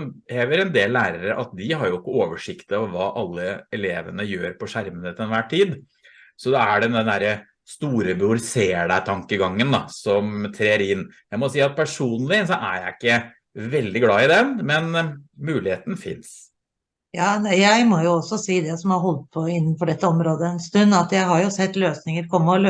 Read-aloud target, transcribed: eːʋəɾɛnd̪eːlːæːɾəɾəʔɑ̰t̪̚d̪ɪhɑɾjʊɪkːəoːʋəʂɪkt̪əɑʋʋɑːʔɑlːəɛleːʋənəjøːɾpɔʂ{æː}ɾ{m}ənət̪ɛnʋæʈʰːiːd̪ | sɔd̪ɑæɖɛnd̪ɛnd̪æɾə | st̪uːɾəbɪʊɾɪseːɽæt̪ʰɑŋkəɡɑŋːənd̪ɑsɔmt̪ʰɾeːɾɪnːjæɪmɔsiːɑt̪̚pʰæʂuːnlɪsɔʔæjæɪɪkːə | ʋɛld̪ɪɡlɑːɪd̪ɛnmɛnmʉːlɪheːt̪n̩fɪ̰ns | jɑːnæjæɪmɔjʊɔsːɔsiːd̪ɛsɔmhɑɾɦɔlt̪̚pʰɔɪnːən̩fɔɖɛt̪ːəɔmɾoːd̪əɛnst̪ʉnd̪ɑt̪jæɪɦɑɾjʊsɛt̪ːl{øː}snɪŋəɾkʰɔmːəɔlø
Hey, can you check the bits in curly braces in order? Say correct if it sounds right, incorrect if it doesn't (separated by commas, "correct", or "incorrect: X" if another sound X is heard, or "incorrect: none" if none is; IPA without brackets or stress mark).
incorrect: æ, correct, correct